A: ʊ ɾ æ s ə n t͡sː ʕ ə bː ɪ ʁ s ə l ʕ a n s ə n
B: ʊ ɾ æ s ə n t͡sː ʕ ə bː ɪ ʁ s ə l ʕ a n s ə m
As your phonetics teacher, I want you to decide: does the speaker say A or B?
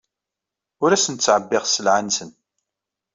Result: A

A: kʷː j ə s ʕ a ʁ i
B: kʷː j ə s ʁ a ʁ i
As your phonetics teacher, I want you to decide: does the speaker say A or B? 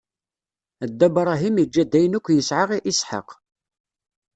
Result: A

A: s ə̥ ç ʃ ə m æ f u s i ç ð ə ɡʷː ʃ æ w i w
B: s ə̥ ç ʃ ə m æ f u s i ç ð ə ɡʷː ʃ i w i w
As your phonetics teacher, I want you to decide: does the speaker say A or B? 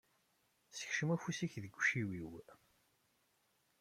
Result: B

